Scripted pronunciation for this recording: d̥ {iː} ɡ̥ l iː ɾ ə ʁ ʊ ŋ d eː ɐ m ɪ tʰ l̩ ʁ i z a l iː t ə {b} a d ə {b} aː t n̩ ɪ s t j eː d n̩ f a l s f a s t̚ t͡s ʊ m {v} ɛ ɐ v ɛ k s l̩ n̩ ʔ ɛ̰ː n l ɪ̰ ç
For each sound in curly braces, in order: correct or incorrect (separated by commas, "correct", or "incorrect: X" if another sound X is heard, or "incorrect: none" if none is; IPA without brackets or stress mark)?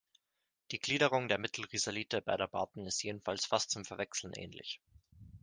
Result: correct, correct, correct, incorrect: f